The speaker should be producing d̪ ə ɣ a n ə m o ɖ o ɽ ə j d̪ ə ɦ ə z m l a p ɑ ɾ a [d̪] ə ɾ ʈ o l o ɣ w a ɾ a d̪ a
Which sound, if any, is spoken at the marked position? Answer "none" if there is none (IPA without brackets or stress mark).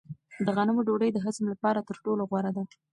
t̪